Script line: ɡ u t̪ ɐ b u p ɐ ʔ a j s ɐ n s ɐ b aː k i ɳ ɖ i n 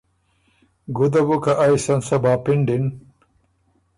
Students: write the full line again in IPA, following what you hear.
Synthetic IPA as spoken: ɡ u d̪ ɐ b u k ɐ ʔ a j s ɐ n s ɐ b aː p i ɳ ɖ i n